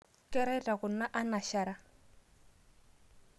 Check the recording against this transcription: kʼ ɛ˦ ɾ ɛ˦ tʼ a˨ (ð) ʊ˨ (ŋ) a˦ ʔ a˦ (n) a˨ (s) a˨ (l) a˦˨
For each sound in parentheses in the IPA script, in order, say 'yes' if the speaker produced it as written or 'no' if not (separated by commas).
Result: no, no, yes, no, no